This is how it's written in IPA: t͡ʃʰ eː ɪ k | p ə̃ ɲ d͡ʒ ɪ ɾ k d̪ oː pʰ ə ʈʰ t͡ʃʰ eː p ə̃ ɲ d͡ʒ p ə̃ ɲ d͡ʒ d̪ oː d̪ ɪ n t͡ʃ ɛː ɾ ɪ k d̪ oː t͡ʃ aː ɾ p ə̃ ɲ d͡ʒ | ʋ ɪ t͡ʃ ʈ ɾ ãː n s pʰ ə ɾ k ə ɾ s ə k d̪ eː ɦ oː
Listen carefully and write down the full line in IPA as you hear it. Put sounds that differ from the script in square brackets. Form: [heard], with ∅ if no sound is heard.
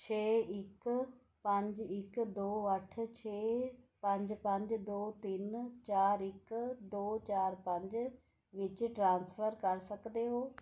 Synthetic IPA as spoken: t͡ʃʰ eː ɪ k | p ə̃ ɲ d͡ʒ ɪ [∅] k d̪ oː [∅] ə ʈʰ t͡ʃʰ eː p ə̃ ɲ d͡ʒ p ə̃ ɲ d͡ʒ d̪ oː [t̪] ɪ n t͡ʃ [aː] ɾ ɪ k d̪ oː t͡ʃ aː ɾ p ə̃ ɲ d͡ʒ | ʋ ɪ t͡ʃ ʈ ɾ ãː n s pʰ ə ɾ k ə ɾ s ə k d̪ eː ɦ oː